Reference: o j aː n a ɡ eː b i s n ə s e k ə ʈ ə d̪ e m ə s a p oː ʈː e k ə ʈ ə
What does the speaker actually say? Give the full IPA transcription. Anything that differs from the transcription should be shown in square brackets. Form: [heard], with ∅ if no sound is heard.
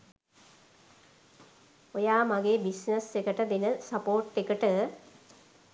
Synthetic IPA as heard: o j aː [m] a ɡ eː b i s n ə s e k ə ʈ ə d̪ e [n] ə s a p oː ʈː e k ə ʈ ə